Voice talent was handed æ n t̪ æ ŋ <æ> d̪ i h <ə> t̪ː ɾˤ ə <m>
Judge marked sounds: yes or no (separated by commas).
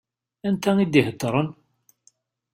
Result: no, yes, no